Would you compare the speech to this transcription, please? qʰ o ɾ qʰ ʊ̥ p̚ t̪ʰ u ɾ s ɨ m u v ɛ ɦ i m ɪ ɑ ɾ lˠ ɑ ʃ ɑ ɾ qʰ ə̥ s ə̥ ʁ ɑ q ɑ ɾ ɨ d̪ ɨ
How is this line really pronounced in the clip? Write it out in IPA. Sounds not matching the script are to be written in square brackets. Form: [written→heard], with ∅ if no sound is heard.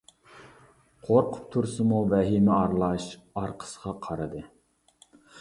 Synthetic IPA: qʰ o ɾ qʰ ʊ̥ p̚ t̪ʰ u ɾ s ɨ m u v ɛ ɦ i m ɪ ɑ ɾ lˠ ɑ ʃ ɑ ɾ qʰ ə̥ s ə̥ ʁ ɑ [q→qʰ] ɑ ɾ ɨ d̪ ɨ